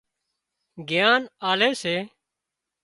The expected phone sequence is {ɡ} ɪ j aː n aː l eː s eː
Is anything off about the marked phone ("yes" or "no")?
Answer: no